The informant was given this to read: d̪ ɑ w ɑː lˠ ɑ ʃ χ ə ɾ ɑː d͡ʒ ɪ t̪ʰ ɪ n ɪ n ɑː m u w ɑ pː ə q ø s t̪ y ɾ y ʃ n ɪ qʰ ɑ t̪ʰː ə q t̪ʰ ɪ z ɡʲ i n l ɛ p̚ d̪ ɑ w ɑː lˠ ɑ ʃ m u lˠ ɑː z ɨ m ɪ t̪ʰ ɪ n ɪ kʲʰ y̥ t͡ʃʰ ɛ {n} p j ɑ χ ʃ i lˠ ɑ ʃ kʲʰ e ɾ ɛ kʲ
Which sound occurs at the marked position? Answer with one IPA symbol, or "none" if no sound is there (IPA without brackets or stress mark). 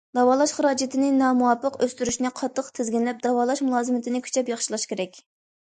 none